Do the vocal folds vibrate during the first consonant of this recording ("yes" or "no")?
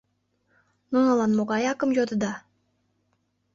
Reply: yes